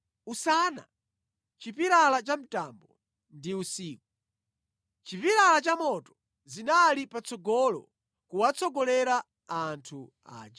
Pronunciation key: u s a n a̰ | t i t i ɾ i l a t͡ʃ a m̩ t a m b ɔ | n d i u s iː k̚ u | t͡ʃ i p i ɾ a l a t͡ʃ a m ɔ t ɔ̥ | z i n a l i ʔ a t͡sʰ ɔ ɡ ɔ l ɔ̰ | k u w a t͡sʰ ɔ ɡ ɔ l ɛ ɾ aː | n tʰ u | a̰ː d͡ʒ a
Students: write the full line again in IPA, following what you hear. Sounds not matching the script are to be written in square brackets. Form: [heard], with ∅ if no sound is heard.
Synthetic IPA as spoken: u s a n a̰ | [t͡ʃ] i [p] i ɾ [a] l a t͡ʃ a m̩ t a m b ɔ | n d i u s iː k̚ u | t͡ʃ i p i ɾ a l a t͡ʃ a m ɔ t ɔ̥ | z i n a l i [p] a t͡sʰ ɔ ɡ ɔ l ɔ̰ | k u w a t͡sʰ ɔ ɡ ɔ l ɛ ɾ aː | n tʰ u | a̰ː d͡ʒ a